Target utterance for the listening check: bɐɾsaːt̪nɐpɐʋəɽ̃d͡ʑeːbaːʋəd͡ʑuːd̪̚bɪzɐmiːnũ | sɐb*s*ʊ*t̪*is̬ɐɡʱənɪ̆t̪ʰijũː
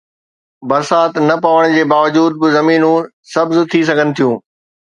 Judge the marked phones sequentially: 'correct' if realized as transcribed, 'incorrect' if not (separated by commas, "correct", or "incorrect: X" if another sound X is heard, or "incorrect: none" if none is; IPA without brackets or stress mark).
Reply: incorrect: z, incorrect: t̪ʰ